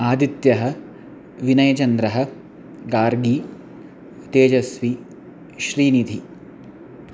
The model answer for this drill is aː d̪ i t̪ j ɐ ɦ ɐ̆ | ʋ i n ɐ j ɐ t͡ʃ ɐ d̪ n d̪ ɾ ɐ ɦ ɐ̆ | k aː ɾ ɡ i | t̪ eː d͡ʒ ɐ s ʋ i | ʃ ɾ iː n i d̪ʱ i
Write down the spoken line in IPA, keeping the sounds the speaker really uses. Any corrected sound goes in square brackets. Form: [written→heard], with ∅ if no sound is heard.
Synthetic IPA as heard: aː d̪ i t̪ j ɐ ɦ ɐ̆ | ʋ i n ɐ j ɐ t͡ʃ ɐ [d̪→∅] n d̪ ɾ ɐ ɦ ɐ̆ | [k→ɡ] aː ɾ ɡ i | t̪ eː d͡ʒ ɐ s ʋ i | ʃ ɾ iː n i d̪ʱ i